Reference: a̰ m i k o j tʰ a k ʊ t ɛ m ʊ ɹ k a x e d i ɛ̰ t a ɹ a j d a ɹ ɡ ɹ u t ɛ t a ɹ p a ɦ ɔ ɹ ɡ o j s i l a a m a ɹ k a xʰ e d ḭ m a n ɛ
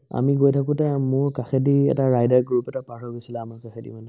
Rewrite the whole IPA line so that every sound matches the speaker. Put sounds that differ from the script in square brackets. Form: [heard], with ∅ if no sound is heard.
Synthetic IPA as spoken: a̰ m i [ɡ] o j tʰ a k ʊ t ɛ m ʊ ɹ k a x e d i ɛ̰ t a ɹ a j d a ɹ ɡ ɹ u [p] ɛ t a [∅] p a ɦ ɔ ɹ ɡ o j s i l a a m a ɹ k a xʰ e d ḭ m a n ɛ

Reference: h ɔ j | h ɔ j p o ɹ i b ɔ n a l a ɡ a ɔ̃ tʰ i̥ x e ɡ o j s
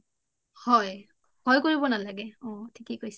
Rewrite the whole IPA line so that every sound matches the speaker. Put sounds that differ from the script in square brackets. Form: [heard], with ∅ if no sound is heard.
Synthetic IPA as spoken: h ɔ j | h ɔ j [k] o ɹ i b ɔ n a l a ɡ [ɛ] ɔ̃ tʰ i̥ [k] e [k] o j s

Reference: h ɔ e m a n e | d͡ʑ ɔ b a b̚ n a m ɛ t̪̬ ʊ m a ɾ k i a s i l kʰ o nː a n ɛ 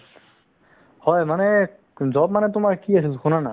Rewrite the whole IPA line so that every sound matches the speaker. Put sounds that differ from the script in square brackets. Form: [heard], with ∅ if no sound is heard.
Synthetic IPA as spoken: h ɔ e m a n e | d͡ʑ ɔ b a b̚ [m] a [n] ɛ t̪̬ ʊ m a ɾ k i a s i l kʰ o [n] a n [a]

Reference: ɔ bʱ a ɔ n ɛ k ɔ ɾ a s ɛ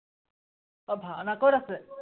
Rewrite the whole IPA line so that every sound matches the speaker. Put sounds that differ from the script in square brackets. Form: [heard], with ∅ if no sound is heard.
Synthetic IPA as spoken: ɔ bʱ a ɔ n [a] k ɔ ɾ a s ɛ

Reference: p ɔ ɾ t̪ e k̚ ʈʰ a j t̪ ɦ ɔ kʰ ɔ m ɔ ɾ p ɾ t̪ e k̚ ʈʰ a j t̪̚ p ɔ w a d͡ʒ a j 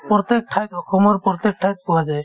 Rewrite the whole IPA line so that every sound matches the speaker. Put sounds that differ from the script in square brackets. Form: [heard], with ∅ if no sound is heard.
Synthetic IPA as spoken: p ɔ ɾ t̪ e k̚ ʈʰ a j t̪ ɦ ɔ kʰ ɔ m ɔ ɾ p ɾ t̪ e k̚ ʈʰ a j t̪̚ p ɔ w a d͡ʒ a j

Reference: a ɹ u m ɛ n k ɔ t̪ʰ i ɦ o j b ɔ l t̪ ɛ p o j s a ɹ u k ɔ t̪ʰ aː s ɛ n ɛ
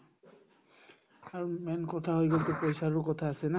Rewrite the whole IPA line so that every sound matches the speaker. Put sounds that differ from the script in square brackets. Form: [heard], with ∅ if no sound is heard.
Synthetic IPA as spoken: a ɹ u m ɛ n k ɔ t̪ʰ [a] ɦ o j [ɡ] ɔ l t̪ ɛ p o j s a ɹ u k ɔ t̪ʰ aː s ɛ n [a]

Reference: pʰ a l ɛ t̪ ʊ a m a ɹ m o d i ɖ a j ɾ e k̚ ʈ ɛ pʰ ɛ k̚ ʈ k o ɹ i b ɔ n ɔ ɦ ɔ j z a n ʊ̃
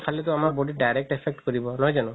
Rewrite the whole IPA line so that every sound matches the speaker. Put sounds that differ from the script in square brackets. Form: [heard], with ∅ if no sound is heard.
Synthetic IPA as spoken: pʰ a l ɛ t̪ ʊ a m a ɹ [b] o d i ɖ a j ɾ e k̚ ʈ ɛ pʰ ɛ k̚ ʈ k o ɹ i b ɔ n ɔ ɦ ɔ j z a n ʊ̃

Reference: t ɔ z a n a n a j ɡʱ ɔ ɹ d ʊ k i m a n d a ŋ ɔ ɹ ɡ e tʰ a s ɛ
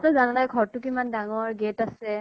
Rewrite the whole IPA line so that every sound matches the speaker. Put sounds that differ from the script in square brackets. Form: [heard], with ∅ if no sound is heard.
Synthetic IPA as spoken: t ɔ z a n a n a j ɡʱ ɔ ɹ [t] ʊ k i m a n d a ŋ ɔ ɹ ɡ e [t] a s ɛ

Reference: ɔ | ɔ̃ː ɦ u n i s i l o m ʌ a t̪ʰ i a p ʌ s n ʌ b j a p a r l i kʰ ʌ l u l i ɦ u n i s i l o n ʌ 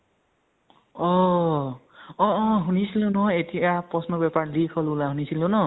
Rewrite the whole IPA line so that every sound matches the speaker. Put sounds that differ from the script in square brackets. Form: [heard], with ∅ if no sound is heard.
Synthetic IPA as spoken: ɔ | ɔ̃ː ɦ u n i s i l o [n] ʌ [e] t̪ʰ i a p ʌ s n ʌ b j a p a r l i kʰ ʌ l u l [a] ɦ u n i s i l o n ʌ

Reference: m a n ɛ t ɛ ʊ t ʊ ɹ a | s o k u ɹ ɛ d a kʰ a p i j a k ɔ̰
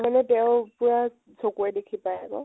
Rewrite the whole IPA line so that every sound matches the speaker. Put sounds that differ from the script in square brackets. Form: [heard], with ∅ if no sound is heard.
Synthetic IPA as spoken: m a n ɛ t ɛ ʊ [p] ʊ ɹ a | s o k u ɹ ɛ d [e] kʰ [i] p [a] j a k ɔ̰

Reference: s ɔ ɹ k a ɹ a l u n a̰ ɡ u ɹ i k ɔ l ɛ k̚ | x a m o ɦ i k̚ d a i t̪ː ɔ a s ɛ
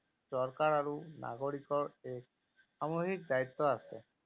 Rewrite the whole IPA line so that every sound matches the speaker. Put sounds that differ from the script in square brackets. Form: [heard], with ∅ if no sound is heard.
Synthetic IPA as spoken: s ɔ ɹ k a ɹ a [ɹ] u n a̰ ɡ [o] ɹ i k ɔ [ɹ] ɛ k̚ | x a m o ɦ i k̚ d a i t̪ː ɔ a s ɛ

